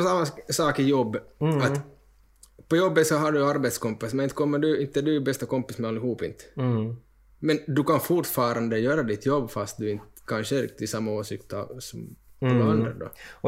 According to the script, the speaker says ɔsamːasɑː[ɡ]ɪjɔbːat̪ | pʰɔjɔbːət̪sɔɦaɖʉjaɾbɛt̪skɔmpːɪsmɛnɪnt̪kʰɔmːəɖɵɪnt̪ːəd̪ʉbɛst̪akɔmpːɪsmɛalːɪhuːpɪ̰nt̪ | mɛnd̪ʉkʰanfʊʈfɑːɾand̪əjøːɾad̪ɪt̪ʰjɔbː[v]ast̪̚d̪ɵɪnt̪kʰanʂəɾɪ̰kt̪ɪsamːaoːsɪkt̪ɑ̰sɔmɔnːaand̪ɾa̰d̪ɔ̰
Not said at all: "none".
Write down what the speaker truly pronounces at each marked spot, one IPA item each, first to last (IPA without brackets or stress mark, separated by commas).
k, f